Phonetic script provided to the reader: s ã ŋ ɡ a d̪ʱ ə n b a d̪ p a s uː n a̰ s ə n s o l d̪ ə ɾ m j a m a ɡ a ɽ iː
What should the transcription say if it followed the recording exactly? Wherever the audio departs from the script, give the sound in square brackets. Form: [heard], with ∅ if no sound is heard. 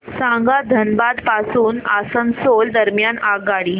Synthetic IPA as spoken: s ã ŋ ɡ a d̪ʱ ə n b a d̪ p a s uː n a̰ s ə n s o l d̪ ə ɾ m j a [n] a ɡ a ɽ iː